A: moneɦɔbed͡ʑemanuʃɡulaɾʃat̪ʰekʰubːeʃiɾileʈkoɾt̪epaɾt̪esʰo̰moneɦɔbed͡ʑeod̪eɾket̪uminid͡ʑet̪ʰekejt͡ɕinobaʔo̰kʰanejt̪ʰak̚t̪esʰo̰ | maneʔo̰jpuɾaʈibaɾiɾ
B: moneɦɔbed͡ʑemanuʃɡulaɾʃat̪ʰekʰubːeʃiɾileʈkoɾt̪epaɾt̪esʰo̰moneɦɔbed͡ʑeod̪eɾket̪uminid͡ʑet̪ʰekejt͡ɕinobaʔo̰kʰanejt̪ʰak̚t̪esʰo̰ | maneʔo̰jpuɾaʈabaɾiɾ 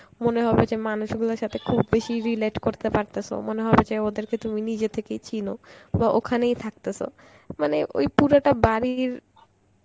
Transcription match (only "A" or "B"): B